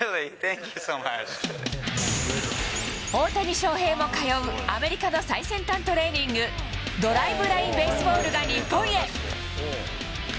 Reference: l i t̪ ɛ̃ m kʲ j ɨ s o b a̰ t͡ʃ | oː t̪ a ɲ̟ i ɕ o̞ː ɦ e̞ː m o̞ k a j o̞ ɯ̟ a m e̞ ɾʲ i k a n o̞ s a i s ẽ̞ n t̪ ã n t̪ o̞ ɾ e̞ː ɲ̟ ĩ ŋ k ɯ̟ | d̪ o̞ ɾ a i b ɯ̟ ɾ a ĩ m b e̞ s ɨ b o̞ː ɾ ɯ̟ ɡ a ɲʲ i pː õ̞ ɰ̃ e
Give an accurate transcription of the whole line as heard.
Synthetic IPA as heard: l i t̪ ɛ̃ ŋ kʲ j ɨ s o m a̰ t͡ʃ | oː t̪ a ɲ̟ i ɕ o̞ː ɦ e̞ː m o̞ k a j o̞ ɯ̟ a m e̞ ɾʲ i k a n o̞ s a i s ẽ̞ n t̪ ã n t̪ o̞ ɾ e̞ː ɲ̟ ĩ ŋ ɡ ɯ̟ | d̪ o̞ ɾ a i b ɯ̟ ɾ a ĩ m b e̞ s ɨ b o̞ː ɾ ɯ̟ ɡ a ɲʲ i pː õ̞ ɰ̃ e